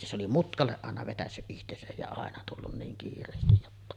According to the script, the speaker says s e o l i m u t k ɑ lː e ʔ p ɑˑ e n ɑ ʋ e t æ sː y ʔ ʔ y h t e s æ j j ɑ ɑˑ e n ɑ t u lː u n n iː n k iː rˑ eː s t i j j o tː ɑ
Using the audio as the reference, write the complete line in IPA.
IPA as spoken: s e o l i m u t k ɑ lː e ʔ ʔ ɑˑ e n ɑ ʋ e t æ sː y ʔ ʔ i h t e s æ j j ɑ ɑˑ e n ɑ t u lː u n n iː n k iː rˑ eː s t i j j o tː ɑ